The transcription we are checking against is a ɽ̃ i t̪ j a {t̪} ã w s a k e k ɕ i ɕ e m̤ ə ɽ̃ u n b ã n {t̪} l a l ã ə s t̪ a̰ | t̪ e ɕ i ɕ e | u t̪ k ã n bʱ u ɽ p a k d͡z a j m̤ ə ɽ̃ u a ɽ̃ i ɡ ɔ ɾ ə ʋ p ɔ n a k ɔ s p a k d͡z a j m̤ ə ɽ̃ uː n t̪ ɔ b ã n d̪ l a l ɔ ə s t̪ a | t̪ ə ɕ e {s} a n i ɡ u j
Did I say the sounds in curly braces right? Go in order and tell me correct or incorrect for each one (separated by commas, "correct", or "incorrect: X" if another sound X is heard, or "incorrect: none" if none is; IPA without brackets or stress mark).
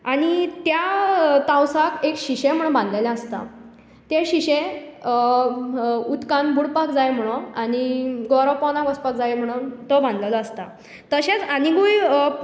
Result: correct, incorrect: d̪, incorrect: t͡s